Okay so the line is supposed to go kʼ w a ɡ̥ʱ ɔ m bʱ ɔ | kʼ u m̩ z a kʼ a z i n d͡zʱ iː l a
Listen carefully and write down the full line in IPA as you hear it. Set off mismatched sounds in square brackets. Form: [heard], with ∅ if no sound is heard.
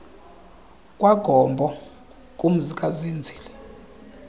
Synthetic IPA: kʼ w a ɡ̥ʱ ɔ m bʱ ɔ | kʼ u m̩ z [i] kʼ a z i n d͡zʱ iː l [ɛ]